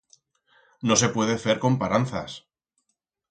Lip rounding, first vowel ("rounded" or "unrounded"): rounded